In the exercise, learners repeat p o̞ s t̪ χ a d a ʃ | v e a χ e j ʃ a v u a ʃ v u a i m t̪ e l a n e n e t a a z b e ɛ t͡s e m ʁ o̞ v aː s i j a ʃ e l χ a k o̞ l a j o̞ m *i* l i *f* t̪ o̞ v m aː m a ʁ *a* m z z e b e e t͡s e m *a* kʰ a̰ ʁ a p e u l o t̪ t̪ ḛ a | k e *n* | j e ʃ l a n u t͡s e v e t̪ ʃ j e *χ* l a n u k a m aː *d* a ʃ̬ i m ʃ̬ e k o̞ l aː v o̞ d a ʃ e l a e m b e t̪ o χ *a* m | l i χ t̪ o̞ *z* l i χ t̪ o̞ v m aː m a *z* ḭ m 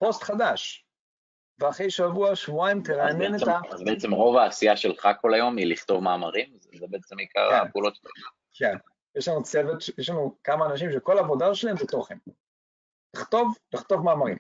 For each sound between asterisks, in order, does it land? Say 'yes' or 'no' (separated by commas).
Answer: yes, no, no, no, yes, no, no, no, no, no